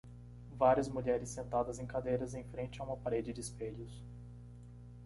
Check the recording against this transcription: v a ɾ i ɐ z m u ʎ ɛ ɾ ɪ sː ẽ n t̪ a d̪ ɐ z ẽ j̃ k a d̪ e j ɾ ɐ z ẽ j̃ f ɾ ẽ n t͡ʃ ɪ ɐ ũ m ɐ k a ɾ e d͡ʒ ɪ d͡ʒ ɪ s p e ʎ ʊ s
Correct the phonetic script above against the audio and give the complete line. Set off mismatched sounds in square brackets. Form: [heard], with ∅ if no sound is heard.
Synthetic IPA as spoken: v a ɾ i ɐ z m u ʎ ɛ ɾ ɪ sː ẽ n t̪ a d̪ ɐ z ẽ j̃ k a d̪ e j ɾ ɐ z ẽ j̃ f ɾ ẽ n t͡ʃ ɪ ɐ ũ m ɐ [p] a ɾ e d͡ʒ ɪ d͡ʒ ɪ s p e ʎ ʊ s